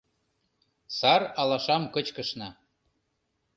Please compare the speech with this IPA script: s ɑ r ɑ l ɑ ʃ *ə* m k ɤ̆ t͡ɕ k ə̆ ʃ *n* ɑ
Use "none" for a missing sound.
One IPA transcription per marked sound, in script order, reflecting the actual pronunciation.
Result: ɑ, n

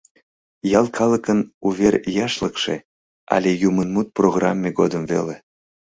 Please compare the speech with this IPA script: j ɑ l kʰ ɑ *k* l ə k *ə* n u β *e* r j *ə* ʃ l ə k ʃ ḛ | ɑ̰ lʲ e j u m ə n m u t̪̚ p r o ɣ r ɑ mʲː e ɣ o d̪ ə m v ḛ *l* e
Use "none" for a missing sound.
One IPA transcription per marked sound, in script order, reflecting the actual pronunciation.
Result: none, ə, e, ɑ, l

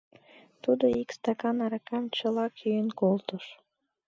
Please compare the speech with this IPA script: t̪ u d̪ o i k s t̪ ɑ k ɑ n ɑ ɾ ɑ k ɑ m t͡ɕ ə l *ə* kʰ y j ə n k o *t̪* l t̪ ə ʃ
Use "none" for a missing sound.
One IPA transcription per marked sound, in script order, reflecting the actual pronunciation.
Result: ɑ, none

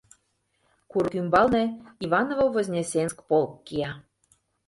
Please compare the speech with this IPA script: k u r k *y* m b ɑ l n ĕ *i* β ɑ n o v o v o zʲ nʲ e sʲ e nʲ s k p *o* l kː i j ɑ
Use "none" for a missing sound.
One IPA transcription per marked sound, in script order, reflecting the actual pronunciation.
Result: y, i, o

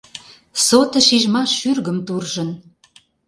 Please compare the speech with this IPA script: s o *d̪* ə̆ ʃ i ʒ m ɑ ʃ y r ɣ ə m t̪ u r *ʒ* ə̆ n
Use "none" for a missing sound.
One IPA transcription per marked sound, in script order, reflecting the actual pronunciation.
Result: t̪, ʒ

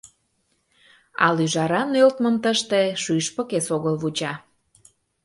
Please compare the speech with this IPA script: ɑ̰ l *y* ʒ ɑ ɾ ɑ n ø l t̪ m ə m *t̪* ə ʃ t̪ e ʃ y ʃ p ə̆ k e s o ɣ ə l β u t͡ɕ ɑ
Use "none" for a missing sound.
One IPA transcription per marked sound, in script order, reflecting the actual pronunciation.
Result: y, t̪

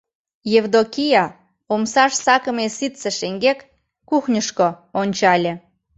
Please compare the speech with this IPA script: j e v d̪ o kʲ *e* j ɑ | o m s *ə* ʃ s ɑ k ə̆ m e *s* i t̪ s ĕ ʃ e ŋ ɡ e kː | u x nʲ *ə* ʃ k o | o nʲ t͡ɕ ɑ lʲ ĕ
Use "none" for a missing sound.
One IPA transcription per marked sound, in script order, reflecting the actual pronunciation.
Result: i, ɑ, s, ə

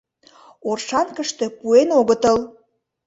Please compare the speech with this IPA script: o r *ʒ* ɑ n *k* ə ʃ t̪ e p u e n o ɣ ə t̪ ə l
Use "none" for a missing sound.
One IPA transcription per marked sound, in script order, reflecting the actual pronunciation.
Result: ʃ, k

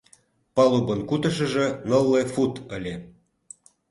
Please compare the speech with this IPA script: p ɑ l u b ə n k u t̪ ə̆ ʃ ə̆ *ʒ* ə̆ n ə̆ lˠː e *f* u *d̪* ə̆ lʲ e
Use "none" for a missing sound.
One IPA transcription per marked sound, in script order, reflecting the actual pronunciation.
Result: ʒ, f, t̪

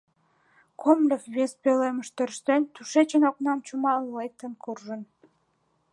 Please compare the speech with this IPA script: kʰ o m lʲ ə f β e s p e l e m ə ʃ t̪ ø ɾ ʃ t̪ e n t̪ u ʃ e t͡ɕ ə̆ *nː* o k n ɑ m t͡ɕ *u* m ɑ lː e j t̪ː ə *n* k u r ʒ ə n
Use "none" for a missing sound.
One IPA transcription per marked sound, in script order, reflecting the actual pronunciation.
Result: n, u, n

